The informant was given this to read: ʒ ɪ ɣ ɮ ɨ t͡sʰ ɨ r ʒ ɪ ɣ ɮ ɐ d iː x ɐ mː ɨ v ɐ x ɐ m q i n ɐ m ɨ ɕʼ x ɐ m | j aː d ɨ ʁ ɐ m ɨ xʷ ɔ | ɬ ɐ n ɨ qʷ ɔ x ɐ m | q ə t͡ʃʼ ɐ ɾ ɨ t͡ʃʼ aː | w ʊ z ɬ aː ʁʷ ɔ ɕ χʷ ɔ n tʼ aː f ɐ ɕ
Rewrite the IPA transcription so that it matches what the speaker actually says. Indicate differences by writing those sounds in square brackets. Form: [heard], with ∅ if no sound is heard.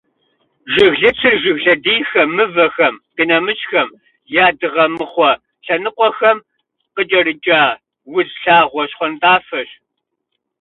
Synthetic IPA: ʒ ɪ ɣ ɮ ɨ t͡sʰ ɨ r ʒ ɪ ɣ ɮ ɐ d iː x ɐ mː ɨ v ɐ x ɐ m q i n ɐ m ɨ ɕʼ x ɐ m | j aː d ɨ ʁ ɐ m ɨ [χʷ] ɔ | ɬ ɐ n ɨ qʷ ɔ x ɐ m | q ə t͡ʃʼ ɐ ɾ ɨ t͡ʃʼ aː | w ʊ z ɬ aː ʁʷ ɔ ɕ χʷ ɔ n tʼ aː f ɐ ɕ